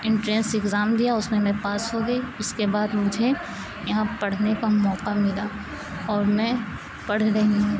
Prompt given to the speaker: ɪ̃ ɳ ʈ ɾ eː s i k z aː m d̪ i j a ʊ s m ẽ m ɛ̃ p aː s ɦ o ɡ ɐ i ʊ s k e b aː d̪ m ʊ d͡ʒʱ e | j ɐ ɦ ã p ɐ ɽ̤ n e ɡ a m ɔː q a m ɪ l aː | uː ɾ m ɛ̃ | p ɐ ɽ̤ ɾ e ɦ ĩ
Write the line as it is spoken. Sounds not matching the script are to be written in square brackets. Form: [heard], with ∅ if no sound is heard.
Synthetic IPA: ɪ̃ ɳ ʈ ɾ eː s [ɪ] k z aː m d̪ i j a ʊ s m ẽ m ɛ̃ p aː s ɦ o ɡ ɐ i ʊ s k e b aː d̪ m ʊ d͡ʒʱ e | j ɐ ɦ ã p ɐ ɽ̤ n e [k] a m ɔː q a m ɪ l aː | [ɔː] ɾ m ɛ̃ | p ɐ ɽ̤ ɾ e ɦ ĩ